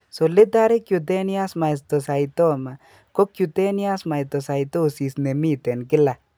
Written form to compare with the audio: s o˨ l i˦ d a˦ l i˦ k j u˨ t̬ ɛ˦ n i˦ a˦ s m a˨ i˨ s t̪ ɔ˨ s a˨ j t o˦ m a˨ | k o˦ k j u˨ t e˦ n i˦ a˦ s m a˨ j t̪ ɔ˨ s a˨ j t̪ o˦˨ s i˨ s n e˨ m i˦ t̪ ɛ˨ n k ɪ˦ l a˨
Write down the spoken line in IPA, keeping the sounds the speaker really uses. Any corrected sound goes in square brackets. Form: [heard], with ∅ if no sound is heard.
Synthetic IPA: s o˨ l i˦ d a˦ [ɾ] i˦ k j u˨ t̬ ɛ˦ n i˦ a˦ s m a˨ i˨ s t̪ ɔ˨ s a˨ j t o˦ m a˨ | k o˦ k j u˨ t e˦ n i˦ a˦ s m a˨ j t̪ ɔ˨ s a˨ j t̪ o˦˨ s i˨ s n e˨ m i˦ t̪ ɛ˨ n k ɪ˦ l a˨